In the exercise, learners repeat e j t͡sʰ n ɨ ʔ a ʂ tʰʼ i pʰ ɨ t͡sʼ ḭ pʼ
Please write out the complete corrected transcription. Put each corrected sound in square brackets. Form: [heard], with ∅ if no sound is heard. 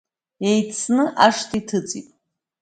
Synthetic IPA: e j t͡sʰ n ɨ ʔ a ʂ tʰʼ i [tʰ] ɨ t͡sʼ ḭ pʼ